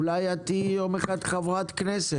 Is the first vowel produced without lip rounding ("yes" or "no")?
yes